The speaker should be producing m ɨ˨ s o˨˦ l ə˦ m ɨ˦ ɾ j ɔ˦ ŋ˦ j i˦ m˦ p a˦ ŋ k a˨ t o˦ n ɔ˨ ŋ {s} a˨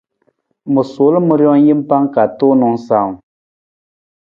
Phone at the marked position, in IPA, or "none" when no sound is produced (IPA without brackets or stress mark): s